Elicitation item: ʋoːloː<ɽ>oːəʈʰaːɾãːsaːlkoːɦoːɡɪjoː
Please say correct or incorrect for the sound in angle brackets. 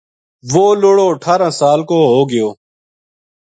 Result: correct